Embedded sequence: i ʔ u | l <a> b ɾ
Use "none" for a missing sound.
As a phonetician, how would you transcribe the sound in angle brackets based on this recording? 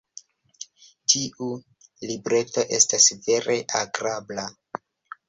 i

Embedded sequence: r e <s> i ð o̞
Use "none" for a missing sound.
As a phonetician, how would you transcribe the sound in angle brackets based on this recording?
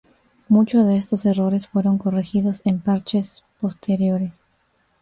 x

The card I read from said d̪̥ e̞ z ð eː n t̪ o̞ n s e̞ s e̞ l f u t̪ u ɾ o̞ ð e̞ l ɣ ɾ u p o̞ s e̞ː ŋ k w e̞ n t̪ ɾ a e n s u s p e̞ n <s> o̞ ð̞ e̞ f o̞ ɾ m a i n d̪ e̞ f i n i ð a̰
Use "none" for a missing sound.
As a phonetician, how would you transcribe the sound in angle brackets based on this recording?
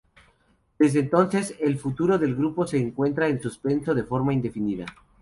s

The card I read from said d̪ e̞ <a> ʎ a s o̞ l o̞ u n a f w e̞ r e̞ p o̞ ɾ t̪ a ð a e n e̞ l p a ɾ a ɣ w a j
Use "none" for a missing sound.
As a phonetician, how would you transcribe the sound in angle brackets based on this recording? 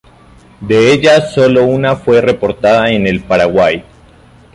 e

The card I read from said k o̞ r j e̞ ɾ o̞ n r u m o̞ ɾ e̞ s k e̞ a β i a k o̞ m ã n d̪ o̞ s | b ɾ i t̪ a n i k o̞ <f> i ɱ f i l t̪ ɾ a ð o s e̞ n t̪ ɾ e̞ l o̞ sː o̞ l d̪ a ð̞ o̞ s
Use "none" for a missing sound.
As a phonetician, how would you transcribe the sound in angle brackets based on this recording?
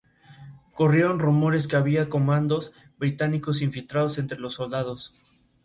s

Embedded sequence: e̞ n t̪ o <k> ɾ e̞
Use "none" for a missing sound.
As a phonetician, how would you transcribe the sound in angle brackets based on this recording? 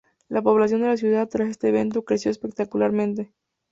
k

